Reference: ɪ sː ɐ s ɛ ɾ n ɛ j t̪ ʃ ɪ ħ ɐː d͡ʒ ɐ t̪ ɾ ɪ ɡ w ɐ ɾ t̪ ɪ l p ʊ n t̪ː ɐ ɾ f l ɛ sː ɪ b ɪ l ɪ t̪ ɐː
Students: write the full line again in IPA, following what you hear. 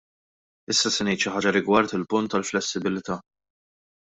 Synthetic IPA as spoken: ɪ sː ɐ s ɛ n ɛ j t̪ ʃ ɪ ħ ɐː d͡ʒ ɐ ɾ ɪ ɡ w ɐ ɾ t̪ ɪ l p ʊ n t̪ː ɐ l f l ɛ sː ɪ b ɪ l ɪ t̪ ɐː